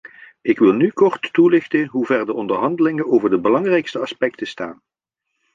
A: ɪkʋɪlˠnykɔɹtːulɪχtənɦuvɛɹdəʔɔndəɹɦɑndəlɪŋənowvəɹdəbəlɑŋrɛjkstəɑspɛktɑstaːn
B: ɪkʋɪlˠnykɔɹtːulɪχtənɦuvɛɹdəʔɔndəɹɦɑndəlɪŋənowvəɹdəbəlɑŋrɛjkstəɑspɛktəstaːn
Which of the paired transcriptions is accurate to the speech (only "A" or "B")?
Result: B